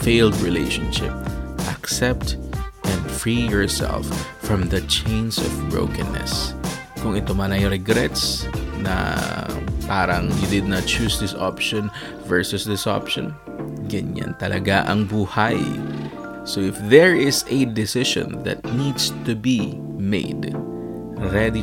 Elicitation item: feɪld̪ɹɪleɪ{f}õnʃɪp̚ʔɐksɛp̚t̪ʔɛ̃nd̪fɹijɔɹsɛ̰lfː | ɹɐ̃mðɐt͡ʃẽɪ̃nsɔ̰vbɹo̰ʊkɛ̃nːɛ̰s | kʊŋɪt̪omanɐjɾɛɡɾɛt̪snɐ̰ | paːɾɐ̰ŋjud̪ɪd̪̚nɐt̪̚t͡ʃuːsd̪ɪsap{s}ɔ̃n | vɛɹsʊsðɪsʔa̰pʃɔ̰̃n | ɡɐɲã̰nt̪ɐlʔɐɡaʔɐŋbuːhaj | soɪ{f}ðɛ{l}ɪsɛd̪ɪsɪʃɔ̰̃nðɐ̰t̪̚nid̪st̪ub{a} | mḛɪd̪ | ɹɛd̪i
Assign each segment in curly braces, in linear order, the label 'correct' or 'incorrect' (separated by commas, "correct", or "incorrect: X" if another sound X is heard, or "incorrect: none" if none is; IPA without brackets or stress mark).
incorrect: ʃ, incorrect: ʃ, correct, incorrect: ɹ, incorrect: i